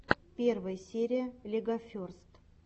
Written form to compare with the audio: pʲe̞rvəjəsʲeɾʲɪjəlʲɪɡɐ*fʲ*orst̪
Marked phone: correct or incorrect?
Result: correct